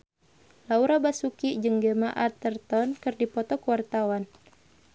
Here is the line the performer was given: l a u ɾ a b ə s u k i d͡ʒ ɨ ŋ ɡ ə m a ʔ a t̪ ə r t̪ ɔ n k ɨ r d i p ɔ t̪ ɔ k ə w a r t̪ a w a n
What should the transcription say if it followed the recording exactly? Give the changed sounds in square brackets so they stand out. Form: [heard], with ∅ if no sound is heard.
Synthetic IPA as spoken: l a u ɾ a b [a] s u k i d͡ʒ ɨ ŋ ɡ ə m a ʔ a t̪ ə r t̪ ɔ n k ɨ r d i p ɔ t̪ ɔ k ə w a r t̪ a w a n